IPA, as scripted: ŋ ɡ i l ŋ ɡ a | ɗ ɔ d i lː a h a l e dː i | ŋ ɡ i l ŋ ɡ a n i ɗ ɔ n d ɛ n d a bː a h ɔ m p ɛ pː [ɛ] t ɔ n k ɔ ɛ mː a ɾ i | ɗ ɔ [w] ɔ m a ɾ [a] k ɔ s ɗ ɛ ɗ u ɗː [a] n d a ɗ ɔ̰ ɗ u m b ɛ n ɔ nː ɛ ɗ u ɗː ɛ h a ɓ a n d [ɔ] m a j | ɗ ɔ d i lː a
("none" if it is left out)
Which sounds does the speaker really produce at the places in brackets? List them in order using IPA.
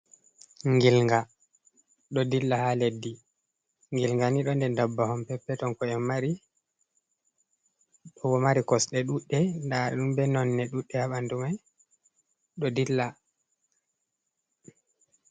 ɛ, w, i, ɛ, u

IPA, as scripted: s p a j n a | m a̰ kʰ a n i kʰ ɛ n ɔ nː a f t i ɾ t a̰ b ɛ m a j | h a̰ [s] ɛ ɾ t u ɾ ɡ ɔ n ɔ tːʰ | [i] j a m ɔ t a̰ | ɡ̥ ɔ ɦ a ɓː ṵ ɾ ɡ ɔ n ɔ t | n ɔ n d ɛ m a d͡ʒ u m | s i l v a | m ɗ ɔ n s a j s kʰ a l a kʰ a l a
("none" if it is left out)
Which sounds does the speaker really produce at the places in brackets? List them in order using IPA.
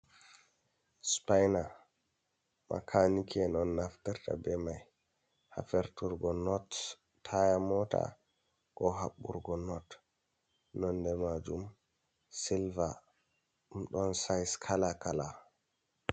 f, a

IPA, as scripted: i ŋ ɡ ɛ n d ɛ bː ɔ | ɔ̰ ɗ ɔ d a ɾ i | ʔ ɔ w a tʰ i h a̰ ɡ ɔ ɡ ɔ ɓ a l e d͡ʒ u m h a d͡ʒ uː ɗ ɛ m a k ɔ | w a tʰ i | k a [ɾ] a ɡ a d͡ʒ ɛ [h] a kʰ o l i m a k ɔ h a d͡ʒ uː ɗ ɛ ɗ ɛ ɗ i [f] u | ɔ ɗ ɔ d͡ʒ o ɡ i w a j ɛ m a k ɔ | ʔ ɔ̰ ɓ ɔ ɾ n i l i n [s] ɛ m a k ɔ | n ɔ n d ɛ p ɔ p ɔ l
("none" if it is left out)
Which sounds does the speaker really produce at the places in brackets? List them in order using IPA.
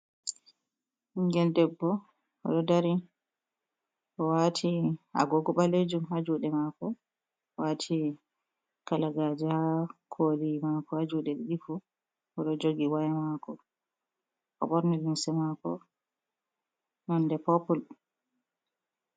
l, h, f, s

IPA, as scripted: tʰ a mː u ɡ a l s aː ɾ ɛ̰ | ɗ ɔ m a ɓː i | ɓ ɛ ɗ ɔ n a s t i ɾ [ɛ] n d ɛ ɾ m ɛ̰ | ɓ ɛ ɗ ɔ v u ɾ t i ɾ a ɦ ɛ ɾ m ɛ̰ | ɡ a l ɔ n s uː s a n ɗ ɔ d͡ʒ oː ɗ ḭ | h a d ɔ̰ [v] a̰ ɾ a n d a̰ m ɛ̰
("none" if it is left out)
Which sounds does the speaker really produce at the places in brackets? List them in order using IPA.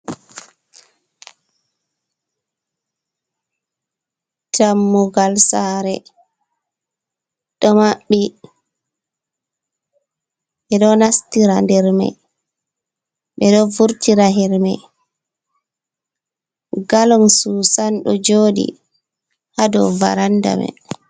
a, v

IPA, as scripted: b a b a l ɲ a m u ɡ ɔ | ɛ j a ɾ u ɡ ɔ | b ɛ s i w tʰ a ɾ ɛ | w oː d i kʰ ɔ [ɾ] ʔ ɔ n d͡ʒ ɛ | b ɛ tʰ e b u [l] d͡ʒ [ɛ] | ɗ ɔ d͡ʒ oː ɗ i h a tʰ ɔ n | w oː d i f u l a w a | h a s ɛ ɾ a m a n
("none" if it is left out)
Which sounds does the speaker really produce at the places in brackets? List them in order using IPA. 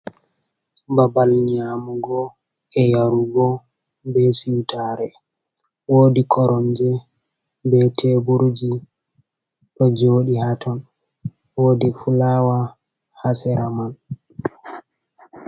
ɾ, ɾ, i

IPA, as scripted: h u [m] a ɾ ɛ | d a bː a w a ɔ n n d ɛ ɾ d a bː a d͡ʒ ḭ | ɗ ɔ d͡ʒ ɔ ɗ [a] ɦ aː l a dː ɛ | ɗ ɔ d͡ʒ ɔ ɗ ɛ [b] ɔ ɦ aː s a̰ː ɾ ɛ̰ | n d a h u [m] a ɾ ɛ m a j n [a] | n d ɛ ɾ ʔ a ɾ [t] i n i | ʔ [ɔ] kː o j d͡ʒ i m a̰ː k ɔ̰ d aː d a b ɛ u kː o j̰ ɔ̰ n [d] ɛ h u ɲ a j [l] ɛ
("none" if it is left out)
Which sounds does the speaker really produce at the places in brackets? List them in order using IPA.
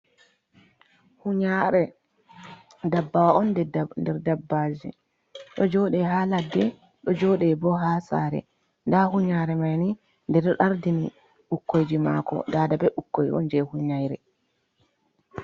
ɲ, ɛ, b, ɲ, i, d, u, d͡ʒ, ɾ

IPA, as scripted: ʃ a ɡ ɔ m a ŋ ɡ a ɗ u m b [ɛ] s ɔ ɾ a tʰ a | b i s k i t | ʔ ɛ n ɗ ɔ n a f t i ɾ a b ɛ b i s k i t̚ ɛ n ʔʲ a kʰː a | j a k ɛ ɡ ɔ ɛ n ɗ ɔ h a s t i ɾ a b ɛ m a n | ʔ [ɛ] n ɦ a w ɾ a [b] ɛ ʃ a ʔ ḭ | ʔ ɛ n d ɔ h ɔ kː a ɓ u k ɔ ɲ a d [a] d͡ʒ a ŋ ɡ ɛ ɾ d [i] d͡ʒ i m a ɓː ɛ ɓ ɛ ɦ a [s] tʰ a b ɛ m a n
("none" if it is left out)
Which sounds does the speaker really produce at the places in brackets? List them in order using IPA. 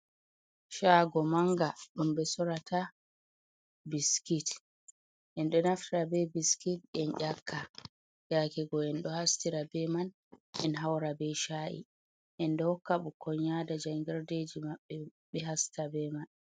ɛ, ɛ, b, a, e, s

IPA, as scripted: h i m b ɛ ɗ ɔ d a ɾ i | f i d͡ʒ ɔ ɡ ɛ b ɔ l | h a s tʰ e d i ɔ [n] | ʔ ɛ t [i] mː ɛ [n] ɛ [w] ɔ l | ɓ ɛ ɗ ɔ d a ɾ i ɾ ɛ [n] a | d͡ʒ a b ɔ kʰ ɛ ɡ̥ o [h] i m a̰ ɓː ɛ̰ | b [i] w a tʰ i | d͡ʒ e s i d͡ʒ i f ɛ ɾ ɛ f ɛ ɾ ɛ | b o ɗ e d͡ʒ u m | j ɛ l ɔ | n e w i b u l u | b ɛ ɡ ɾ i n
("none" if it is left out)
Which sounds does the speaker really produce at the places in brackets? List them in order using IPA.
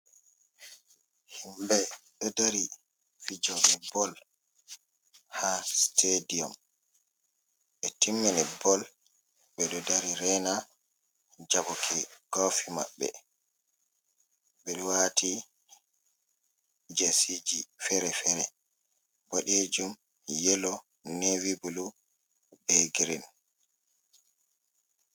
m, i, n, b, n, f, ɛ

